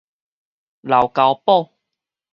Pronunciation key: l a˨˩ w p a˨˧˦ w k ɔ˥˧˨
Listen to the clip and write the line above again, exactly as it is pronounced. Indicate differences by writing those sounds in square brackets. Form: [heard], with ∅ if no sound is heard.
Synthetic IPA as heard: l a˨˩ w [k] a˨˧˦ w [p] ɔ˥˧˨